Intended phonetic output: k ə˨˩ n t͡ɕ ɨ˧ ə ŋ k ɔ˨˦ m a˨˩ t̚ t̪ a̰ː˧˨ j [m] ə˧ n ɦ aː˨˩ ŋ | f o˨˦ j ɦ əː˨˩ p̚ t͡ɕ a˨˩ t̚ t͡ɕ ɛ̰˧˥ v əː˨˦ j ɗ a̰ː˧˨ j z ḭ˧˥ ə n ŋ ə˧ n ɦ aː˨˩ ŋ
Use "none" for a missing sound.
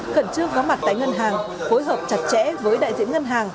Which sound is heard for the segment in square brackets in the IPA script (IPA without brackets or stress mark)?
ŋ